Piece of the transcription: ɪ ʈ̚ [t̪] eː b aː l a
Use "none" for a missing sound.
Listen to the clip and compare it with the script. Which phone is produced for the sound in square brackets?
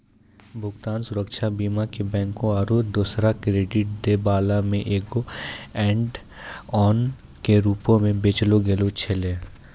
d̪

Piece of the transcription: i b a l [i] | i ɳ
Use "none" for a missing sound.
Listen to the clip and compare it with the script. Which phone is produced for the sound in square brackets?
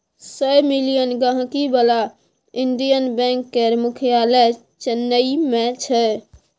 a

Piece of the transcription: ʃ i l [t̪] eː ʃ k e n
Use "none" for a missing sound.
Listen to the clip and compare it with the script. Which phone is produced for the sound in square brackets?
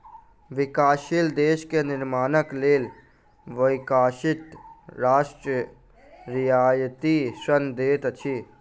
d̪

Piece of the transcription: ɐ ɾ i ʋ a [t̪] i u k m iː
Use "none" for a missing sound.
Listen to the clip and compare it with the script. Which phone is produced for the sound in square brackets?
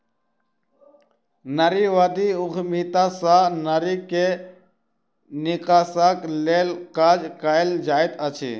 d̪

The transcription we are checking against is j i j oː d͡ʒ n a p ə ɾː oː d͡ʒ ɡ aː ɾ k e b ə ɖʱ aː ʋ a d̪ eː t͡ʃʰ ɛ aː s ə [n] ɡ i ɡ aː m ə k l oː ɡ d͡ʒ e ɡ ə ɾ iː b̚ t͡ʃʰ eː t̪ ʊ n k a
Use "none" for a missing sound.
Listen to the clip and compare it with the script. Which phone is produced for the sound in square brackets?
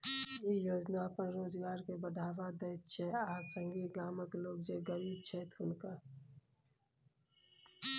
ŋ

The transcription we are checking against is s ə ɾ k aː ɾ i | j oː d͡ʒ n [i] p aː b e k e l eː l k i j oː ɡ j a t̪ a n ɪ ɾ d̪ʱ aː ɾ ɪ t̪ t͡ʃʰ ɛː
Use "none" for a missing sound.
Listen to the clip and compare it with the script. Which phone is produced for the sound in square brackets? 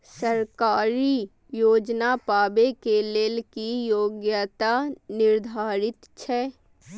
a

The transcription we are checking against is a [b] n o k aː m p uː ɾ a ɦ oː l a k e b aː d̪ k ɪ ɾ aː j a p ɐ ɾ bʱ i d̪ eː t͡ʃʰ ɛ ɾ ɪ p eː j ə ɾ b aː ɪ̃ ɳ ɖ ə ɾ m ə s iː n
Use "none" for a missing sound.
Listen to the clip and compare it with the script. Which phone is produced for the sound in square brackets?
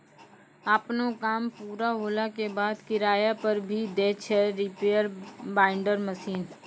p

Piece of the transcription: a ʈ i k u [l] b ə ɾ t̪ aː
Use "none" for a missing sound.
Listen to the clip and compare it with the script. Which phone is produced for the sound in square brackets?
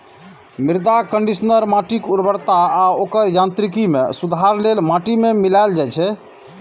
ɾ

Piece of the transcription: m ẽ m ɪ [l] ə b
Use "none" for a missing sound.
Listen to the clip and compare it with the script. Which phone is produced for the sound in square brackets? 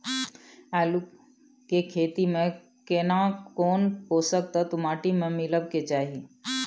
l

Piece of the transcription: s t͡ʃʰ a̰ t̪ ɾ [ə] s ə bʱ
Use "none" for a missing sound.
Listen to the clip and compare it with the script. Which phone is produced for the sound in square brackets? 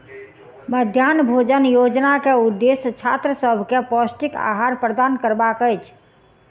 ə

